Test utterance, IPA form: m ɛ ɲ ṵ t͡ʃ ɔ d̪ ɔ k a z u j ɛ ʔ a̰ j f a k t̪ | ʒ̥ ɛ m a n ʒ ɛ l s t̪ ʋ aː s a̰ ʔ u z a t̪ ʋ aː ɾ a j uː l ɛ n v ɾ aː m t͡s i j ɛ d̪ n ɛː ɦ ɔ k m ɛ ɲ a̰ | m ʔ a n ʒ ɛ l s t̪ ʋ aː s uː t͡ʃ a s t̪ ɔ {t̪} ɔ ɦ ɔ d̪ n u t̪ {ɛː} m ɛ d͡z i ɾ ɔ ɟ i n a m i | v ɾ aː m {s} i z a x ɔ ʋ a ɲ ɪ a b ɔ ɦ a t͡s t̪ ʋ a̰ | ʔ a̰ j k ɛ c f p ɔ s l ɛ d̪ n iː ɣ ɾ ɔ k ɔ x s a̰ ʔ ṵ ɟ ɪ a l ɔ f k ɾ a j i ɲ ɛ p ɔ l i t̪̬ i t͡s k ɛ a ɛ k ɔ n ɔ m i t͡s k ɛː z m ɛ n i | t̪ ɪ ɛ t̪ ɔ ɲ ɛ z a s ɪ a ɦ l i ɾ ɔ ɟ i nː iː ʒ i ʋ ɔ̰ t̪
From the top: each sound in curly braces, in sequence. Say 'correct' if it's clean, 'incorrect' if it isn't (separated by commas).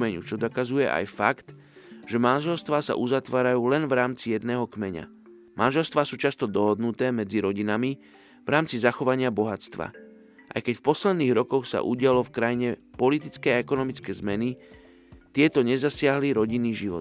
incorrect, correct, incorrect